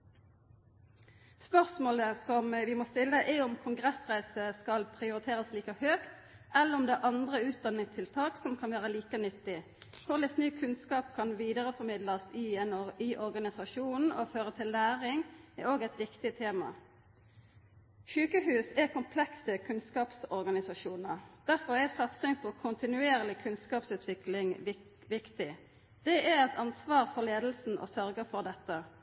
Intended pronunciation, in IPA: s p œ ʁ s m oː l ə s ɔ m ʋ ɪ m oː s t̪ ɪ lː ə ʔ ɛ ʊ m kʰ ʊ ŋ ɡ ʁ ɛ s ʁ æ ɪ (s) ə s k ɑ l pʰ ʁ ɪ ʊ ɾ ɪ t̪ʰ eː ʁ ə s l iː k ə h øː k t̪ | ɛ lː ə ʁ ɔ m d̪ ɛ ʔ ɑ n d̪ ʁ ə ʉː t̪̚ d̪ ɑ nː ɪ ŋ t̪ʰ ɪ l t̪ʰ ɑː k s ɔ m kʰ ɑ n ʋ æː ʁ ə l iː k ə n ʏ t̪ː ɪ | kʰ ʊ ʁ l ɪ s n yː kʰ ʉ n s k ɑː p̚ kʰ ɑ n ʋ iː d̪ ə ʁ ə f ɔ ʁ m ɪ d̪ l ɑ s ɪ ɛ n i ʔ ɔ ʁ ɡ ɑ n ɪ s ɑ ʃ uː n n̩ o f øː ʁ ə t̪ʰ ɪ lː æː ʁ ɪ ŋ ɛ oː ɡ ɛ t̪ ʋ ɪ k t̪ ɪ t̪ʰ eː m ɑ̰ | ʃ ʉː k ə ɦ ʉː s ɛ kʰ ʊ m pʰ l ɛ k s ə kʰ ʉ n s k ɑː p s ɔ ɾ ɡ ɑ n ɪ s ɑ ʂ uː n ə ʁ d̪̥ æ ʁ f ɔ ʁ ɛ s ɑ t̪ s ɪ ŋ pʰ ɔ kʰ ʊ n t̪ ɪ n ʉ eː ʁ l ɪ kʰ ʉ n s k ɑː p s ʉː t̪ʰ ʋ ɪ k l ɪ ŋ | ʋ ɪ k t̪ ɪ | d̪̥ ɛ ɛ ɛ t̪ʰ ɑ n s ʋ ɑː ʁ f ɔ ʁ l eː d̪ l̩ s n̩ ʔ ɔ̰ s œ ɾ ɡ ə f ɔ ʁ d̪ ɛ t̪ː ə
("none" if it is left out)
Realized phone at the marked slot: s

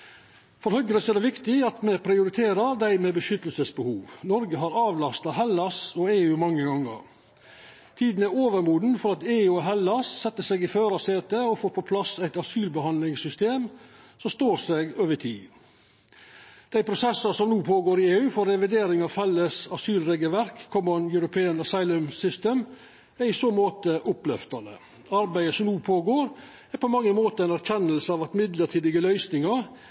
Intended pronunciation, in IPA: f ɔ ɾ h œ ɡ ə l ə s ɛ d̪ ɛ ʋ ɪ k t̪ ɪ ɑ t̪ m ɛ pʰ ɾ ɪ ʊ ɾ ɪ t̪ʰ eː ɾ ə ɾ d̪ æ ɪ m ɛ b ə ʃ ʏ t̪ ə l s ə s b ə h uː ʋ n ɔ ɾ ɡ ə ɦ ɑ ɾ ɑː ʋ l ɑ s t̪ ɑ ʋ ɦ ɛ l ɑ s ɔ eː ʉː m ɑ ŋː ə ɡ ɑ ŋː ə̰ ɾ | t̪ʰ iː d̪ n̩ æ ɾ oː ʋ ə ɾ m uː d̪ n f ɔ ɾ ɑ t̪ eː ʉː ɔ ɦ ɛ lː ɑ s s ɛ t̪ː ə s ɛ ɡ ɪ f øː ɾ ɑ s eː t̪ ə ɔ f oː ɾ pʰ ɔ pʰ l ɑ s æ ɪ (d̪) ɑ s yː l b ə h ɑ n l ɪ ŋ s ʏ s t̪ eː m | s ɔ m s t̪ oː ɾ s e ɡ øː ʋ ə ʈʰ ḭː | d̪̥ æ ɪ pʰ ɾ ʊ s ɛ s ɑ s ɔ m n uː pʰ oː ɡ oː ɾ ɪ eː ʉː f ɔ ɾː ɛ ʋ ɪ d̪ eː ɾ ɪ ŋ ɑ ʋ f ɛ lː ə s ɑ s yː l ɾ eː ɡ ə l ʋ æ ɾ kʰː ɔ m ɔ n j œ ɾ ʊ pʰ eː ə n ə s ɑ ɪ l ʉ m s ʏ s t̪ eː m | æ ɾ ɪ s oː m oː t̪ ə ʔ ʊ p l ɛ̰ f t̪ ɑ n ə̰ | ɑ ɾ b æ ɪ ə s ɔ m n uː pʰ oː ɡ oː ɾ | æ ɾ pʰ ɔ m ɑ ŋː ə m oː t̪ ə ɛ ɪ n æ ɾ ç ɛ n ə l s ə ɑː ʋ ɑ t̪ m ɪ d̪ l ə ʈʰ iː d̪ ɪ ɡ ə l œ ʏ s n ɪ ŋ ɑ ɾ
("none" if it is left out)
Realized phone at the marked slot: t̪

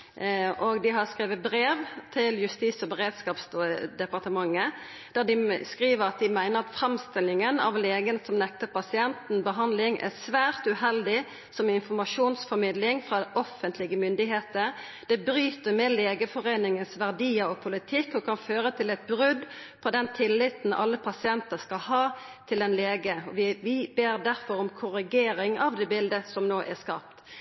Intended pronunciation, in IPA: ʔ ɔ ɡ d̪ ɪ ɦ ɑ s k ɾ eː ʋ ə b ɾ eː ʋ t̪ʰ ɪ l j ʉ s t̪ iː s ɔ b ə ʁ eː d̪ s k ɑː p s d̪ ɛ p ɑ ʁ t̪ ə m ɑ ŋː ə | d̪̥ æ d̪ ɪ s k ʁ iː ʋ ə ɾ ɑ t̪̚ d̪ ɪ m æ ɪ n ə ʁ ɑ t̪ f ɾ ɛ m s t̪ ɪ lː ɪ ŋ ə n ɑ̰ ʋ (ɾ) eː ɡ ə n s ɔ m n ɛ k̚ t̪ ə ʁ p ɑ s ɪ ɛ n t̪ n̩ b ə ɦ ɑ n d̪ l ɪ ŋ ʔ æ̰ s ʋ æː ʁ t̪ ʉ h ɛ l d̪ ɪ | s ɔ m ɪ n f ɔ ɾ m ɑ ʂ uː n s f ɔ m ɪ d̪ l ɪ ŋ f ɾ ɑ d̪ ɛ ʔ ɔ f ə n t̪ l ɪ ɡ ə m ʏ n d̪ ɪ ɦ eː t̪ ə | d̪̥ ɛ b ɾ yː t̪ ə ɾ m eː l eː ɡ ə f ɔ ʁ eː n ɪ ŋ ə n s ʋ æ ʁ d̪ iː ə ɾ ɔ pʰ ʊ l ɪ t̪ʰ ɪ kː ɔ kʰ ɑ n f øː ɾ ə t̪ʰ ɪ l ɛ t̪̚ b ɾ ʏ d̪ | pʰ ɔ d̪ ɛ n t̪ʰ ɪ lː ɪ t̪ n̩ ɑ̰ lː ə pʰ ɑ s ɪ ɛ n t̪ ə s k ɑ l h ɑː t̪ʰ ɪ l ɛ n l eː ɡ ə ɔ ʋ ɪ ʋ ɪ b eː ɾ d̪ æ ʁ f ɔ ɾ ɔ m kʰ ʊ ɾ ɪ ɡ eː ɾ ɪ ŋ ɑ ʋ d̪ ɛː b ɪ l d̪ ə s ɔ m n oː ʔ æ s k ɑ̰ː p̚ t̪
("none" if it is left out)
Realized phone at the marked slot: l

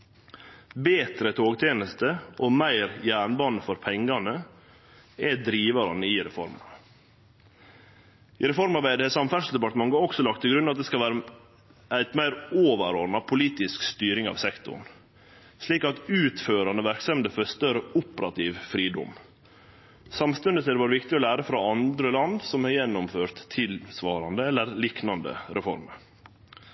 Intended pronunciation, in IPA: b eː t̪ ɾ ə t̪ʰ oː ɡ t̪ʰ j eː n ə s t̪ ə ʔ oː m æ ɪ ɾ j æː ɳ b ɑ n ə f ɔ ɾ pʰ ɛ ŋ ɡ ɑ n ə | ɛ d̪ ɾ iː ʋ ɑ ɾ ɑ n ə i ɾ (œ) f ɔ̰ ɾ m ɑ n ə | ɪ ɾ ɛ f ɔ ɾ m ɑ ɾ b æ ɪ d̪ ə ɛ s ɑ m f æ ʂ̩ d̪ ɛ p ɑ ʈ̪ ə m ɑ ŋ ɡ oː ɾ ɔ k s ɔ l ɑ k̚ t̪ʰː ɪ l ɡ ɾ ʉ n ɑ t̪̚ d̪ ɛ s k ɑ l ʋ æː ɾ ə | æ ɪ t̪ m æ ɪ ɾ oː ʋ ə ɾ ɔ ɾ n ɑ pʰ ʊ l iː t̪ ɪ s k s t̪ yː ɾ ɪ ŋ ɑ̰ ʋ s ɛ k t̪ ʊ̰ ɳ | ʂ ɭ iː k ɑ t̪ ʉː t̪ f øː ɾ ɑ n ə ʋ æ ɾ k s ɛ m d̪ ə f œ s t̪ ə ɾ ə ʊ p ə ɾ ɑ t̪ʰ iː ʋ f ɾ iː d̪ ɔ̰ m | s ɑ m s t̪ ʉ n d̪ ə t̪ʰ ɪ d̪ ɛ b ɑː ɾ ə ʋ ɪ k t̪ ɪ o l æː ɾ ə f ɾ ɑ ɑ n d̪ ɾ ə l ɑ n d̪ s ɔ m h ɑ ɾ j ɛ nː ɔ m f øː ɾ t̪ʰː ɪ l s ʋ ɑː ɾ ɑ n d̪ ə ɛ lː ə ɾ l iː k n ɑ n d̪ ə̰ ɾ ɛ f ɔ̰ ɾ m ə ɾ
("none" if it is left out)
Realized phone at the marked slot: ɛ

